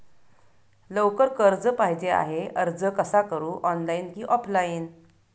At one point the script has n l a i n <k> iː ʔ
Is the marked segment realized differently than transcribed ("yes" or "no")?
no